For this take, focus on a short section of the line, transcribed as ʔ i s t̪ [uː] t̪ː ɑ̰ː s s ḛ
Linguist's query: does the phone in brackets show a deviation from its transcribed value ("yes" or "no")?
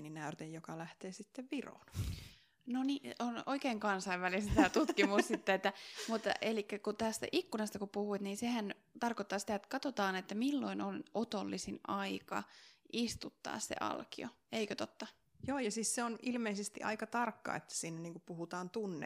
yes